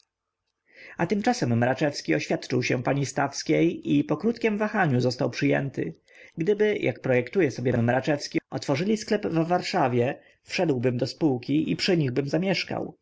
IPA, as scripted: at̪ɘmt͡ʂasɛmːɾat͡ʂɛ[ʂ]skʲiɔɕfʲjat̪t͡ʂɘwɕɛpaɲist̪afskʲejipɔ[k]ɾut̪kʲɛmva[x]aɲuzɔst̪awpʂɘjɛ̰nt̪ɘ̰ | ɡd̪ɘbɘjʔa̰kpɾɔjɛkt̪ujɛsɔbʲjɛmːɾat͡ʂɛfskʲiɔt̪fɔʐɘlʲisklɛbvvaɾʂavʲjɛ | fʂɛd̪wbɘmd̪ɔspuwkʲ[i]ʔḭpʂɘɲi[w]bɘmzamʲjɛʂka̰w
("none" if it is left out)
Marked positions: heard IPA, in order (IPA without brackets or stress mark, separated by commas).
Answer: f, k, x, i, ɣ